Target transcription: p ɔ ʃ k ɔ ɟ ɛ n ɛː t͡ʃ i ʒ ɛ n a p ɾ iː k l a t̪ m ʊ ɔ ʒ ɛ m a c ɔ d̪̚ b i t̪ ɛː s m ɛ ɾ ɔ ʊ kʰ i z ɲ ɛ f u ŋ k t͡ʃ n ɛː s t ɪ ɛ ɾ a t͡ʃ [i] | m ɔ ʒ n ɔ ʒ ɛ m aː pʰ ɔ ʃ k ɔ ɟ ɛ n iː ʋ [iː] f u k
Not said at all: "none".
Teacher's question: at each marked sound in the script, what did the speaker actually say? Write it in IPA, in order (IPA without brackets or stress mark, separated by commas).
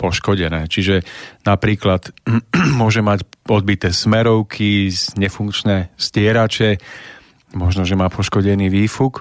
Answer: ɛ, iː